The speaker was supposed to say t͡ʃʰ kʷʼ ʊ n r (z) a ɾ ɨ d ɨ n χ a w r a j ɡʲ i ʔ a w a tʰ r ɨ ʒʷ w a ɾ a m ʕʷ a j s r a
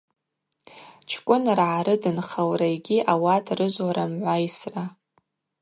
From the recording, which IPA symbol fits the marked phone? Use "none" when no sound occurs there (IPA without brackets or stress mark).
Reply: ʕ